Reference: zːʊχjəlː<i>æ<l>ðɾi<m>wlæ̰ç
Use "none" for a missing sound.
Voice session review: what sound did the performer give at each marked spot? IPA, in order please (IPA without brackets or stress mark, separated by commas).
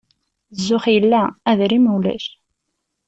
æ, none, m